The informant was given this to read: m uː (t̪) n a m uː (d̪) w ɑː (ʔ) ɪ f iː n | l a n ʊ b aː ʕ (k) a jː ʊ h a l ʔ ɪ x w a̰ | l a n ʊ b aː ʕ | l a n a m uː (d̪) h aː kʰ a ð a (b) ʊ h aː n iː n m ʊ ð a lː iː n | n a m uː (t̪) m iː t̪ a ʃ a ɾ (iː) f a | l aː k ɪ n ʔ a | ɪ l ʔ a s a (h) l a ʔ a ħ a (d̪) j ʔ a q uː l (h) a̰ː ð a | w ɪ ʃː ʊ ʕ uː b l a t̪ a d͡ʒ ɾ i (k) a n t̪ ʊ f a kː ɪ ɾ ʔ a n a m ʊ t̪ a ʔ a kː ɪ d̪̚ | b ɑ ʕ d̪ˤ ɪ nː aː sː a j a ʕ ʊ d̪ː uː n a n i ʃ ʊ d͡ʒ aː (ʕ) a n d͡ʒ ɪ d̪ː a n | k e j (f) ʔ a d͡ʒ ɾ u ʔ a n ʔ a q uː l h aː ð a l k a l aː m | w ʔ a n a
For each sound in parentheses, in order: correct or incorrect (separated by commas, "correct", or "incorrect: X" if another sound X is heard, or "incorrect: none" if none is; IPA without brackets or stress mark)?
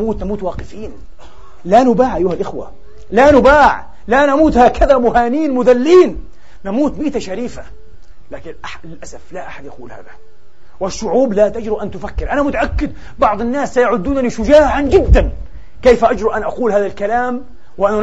correct, incorrect: t̪, incorrect: q, incorrect: ʔ, incorrect: t̪, incorrect: m, correct, correct, incorrect: f, correct, correct, incorrect: ʔ, correct, correct